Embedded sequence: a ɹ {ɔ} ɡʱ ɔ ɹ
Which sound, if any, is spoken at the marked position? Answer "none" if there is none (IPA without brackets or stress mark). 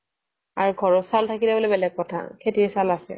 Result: u